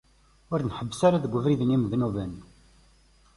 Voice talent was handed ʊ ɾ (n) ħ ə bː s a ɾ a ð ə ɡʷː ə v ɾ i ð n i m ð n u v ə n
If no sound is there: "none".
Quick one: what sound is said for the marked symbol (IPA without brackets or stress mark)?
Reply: n